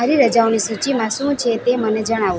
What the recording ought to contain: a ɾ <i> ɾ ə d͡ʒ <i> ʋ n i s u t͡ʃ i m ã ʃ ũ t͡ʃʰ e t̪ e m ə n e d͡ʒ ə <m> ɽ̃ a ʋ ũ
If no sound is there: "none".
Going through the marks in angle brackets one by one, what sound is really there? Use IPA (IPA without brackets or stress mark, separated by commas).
i, a, none